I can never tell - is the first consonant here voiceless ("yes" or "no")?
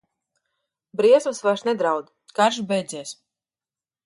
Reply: no